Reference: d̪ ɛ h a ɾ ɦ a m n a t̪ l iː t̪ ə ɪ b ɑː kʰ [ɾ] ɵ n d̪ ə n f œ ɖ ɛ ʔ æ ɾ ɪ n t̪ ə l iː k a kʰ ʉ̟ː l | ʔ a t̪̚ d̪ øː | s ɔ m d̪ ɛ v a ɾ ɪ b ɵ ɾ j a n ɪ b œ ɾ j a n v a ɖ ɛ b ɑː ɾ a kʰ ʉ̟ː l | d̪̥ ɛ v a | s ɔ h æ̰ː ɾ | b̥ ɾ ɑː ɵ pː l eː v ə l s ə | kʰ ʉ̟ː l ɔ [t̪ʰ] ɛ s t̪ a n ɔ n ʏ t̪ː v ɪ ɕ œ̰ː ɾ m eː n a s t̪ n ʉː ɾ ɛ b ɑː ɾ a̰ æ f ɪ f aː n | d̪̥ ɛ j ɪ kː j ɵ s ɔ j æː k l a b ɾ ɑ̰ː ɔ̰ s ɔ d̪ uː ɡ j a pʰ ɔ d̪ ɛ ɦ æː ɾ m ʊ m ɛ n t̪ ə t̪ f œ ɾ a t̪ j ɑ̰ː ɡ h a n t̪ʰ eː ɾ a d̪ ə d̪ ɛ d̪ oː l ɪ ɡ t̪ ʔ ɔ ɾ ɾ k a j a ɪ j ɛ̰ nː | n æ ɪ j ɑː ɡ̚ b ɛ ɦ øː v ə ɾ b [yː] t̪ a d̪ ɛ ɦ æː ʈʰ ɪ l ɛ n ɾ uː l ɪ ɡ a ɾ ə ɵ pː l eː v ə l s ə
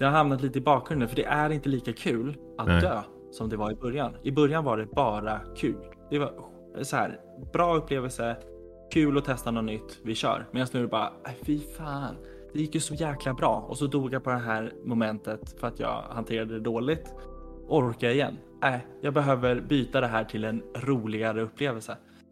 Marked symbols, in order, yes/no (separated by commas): yes, yes, yes